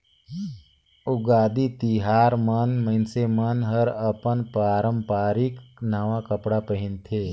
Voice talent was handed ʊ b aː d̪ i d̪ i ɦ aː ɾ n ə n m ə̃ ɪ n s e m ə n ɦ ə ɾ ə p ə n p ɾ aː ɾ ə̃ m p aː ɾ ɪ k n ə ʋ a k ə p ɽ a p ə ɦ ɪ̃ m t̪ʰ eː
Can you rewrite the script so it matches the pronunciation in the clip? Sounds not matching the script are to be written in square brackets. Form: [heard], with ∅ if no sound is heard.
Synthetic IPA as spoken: ʊ [ɡ] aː d̪ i [t̪] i ɦ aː ɾ [m] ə n m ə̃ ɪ n s e m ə n ɦ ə ɾ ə p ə n p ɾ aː ɾ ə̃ m p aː ɾ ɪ k n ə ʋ a k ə p ɽ a p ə ɦ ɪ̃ [n] t̪ʰ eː